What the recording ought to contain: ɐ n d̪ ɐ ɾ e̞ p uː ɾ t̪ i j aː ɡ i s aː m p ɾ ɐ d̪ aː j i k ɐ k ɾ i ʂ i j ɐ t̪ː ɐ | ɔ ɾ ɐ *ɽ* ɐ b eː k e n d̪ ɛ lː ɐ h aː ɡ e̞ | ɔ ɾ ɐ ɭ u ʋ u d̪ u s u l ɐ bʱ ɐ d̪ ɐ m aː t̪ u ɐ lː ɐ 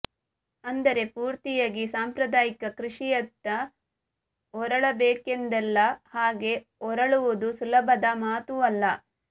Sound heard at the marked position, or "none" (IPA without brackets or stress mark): ɭ